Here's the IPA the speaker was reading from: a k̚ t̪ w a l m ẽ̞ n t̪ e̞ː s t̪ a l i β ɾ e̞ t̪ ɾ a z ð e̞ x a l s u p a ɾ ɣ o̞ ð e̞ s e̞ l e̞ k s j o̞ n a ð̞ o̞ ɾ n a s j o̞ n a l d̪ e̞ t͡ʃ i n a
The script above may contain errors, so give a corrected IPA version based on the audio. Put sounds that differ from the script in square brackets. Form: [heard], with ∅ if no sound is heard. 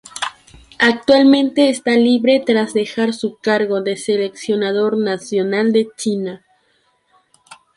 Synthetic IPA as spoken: a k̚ t̪ w a l m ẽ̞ n t̪ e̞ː s t̪ a l i β ɾ e̞ t̪ ɾ a z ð e̞ x a [ɾ] s u [k] a ɾ ɣ o̞ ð e̞ s e̞ l e̞ k s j o̞ n a ð̞ o̞ ɾ n a s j o̞ n a l d̪ e̞ t͡ʃ i n a